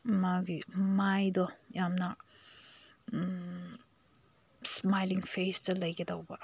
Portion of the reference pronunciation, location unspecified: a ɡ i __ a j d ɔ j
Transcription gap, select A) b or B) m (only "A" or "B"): B